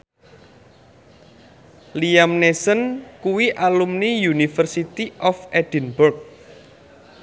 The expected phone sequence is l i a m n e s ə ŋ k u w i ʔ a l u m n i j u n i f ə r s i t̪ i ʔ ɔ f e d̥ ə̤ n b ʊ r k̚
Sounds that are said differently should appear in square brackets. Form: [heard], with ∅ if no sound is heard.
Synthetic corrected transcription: l i a m n e s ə [n] k u w i ʔ a l u m n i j u n i f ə r s i t̪ i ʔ ɔ f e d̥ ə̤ n b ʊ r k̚

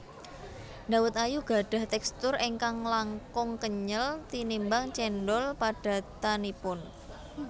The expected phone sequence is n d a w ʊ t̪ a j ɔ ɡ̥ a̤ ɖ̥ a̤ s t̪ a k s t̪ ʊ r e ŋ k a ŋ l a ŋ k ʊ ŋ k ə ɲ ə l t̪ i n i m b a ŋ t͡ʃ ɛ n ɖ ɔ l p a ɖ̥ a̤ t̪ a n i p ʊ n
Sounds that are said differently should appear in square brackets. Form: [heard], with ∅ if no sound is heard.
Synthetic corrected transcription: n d a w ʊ t̪ a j [u] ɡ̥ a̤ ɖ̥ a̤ [h] t̪ [ɛ] k s t̪ ʊ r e ŋ k a ŋ l a ŋ k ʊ ŋ k ə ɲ ə l t̪ i n i m b a ŋ t͡ʃ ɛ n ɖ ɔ l p a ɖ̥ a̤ t̪ a n i p ʊ n

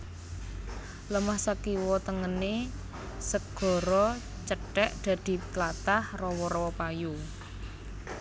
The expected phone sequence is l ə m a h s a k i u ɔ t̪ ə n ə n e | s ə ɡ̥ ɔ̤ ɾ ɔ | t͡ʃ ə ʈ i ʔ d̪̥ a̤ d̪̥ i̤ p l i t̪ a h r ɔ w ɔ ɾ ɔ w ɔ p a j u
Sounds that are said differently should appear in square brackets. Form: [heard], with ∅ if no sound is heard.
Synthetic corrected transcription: l ə m a h s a k i [w] ɔ t̪ ə [ŋ] ə n e | s ə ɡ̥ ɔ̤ ɾ ɔ | t͡ʃ ə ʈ [ɛ] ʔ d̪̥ a̤ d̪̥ i̤ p l [a] t̪ a h r ɔ w ɔ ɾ ɔ w ɔ p a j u

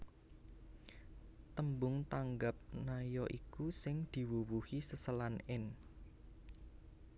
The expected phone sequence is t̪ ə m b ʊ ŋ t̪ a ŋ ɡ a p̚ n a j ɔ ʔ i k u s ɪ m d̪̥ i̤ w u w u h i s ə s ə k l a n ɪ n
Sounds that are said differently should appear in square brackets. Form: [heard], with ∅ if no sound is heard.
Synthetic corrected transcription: t̪ ə m b ʊ ŋ t̪ a ŋ ɡ a p̚ n a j ɔ ʔ i k u s ɪ [ŋ] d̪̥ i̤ w u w u h i s ə s ə [∅] l a n ɪ n

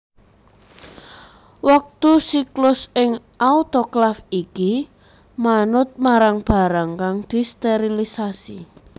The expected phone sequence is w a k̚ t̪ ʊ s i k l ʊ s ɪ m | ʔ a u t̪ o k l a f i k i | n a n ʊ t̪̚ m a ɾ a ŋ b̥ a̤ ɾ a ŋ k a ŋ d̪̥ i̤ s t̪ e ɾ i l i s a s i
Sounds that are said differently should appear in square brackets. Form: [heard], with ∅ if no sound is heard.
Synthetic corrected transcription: w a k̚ t̪ [u] s i k l ʊ s ɪ [ŋ] | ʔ a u t̪ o k l a f i k i | [m] a n ʊ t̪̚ m a ɾ a ŋ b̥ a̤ ɾ a ŋ k a ŋ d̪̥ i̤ s t̪ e ɾ i l i s a s i

